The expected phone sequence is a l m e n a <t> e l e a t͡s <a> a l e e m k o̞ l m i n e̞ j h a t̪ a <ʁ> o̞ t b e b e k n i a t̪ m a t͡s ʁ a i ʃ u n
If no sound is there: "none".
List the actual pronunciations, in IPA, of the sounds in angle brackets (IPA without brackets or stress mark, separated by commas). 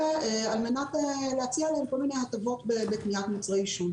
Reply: t, i, v